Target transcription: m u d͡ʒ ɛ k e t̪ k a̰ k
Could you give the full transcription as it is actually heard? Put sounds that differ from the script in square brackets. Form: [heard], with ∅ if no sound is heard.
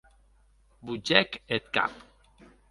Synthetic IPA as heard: [b] u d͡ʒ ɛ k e t̪ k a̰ [p]

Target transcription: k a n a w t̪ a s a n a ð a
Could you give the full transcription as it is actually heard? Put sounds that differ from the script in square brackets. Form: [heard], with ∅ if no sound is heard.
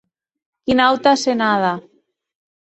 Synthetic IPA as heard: k [i] n a w t̪ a s [e] n a ð a

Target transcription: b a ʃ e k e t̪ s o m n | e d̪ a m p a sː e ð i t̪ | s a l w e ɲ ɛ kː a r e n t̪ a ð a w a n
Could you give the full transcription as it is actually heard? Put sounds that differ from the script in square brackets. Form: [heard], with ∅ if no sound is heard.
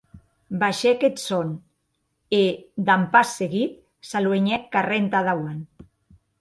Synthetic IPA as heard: b a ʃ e k e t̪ s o [∅] n | e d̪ a m p a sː e [ɣ] i t̪ | s a l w e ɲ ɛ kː a r e n t̪ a ð a w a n

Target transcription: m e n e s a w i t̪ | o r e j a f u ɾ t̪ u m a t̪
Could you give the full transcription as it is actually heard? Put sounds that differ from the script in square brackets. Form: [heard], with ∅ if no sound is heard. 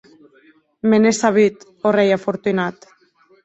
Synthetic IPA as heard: m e n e s a [β] i t̪ | o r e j a f [o] ɾ t̪ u [n] a t̪

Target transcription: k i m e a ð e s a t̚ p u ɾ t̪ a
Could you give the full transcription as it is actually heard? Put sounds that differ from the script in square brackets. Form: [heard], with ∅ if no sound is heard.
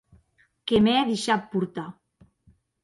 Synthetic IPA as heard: k [e] m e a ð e [ʃ] a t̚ p u ɾ t̪ a

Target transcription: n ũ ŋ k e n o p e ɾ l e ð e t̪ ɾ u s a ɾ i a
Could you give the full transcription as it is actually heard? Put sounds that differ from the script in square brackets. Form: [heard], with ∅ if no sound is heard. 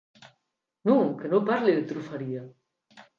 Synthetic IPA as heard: n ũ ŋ k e n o p [a] ɾ l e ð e t̪ ɾ u [f] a ɾ i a

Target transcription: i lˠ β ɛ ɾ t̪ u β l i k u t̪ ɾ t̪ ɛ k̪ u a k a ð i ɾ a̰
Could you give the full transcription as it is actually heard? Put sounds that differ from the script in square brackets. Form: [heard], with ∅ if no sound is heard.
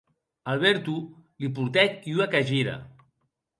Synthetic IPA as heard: [a] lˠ β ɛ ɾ t̪ u [∅] l i [p] u [∅] ɾ t̪ ɛ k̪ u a k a [ʒ] i ɾ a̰

